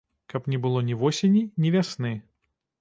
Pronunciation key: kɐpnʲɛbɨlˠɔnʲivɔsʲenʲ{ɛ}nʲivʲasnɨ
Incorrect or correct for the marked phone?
incorrect: i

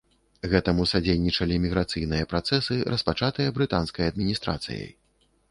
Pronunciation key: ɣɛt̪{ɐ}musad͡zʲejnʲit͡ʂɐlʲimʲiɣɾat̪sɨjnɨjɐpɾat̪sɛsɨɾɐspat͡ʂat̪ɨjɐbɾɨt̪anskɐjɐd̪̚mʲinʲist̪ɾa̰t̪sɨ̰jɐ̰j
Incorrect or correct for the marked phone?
correct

